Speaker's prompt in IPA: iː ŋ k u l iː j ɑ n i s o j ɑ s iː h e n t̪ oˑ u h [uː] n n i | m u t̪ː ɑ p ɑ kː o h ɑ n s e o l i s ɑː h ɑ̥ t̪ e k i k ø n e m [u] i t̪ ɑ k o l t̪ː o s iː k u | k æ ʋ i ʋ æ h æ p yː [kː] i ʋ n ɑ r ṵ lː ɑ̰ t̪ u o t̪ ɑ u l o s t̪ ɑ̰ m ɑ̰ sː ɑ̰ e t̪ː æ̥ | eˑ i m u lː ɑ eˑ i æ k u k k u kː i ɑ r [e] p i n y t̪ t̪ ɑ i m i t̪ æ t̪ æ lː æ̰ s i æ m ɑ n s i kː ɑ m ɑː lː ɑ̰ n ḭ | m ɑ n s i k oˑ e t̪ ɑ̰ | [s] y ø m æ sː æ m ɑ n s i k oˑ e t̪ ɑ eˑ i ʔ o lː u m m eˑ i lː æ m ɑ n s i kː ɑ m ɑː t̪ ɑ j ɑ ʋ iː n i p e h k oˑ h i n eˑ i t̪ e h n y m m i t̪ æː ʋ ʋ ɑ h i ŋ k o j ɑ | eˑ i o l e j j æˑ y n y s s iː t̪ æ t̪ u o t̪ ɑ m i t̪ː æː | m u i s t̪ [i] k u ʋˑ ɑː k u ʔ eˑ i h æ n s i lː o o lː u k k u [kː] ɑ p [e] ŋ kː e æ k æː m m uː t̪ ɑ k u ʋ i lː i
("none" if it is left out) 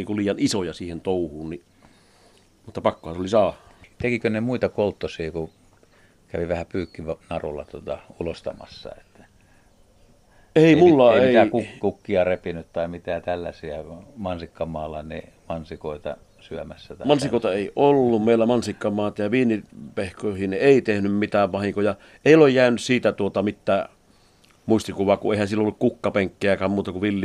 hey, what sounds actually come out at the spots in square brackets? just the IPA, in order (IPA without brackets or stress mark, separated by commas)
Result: uː, u, kː, e, s, i, kː, e